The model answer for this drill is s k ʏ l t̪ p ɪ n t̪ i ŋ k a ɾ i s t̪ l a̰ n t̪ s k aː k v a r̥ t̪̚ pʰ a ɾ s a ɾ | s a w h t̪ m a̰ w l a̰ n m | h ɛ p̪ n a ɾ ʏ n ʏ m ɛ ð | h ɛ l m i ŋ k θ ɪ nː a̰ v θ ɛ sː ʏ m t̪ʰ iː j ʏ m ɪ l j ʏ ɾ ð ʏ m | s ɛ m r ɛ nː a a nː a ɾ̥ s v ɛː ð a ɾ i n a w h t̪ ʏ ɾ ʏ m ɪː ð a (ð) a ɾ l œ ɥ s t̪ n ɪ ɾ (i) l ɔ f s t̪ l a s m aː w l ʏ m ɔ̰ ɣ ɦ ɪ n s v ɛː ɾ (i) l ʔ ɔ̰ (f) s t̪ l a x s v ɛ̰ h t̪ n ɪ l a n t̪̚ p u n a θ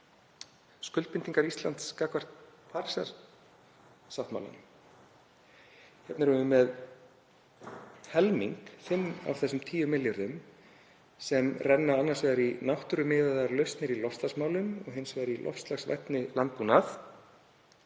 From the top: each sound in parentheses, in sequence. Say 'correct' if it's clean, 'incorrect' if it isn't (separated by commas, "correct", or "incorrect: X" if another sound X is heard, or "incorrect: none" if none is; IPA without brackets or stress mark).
correct, correct, correct, correct